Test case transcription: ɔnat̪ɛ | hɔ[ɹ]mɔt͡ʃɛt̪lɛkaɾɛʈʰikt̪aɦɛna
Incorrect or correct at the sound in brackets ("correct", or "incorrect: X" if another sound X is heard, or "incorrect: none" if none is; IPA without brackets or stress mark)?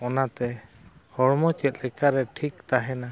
correct